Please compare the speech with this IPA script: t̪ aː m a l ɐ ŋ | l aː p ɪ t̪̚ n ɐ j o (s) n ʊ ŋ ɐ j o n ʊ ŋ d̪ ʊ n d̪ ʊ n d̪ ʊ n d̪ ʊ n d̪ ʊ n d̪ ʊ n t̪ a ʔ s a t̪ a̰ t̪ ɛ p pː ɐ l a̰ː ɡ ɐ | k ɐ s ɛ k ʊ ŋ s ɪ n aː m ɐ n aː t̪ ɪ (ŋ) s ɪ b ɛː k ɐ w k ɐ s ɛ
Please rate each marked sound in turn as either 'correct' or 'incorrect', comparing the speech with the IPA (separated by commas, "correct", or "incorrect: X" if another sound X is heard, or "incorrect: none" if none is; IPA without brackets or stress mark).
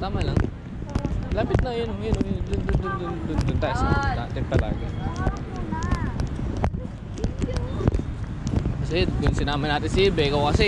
incorrect: none, incorrect: n